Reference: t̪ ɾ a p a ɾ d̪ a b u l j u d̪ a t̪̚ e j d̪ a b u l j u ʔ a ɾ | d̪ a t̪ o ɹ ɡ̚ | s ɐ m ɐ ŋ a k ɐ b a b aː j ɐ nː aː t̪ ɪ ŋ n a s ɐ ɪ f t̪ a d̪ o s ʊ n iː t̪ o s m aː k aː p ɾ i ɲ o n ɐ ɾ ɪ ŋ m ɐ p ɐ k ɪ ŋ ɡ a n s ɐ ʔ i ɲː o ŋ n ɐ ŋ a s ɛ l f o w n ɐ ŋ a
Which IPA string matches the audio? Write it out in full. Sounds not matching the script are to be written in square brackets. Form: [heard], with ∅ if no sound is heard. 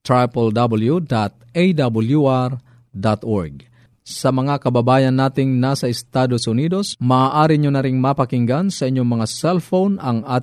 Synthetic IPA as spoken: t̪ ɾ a p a [l] d̪ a b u l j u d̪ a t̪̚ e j d̪ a b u l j u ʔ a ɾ | d̪ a t̪ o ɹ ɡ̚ | s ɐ m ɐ ŋ a k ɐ b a b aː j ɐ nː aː t̪ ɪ ŋ n a s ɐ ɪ [s] t̪ a d̪ o s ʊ n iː [d̪] o s m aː [ʔ] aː [∅] ɾ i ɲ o n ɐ ɾ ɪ ŋ m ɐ p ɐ k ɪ ŋ ɡ a n s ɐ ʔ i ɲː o ŋ [m] ɐ ŋ a s ɛ l f o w n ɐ ŋ a